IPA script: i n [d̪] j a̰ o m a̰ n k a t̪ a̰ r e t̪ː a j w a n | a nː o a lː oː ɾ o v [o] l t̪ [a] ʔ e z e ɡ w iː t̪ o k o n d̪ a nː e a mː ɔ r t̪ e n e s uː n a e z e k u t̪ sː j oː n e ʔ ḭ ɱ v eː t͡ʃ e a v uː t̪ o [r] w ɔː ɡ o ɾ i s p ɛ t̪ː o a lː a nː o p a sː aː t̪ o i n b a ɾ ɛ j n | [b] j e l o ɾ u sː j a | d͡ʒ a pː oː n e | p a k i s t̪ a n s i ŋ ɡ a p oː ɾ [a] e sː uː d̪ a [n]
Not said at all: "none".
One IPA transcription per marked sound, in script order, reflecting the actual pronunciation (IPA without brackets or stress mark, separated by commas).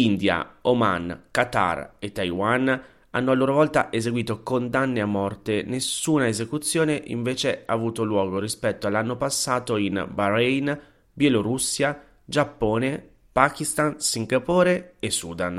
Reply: d̪, ɔ, a, l, b, e, n